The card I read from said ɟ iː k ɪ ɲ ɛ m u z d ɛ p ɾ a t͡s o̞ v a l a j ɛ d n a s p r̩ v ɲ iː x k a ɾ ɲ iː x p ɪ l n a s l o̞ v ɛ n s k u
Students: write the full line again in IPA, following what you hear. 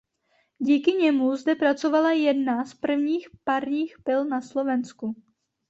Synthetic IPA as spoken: ɟ iː k ɪ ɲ ɛ m u z d ɛ p ɾ a t͡s o̞ v a l a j ɛ d n a s p r̩ v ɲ iː x p a ɾ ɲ iː x p ɪ l n a s l o̞ v ɛ n s k u